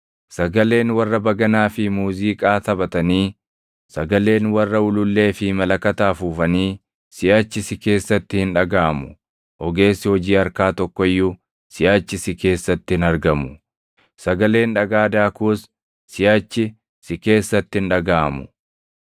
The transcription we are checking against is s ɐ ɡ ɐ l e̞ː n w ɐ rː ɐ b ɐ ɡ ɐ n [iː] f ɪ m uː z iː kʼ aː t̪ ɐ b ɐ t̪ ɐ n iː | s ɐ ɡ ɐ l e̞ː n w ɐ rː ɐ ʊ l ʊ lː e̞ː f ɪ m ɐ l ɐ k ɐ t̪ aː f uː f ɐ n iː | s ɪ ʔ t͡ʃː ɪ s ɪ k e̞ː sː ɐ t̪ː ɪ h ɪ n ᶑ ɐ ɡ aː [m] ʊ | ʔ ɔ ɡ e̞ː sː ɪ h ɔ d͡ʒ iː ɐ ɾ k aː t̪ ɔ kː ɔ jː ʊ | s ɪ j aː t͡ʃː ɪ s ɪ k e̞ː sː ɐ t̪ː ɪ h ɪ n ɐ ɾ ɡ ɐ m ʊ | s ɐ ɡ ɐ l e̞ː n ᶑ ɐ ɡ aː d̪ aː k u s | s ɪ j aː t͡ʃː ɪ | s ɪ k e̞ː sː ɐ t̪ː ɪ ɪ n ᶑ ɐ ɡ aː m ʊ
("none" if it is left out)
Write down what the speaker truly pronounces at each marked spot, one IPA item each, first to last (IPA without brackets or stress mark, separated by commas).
aː, m